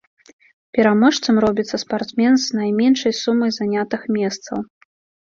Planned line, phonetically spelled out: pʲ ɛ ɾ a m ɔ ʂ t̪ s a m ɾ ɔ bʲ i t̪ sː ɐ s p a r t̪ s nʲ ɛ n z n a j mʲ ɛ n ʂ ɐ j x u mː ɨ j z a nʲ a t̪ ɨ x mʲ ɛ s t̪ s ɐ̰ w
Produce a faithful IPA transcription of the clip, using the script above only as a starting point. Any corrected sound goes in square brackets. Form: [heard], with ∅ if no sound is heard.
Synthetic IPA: pʲ ɛ ɾ a m ɔ ʂ t̪ s [ɐ] m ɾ ɔ bʲ i t̪ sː ɐ s p a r t̪ s [mʲ] ɛ n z n a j mʲ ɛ n ʂ ɐ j [s] u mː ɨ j z a nʲ a t̪ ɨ x mʲ ɛ s t̪ s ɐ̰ w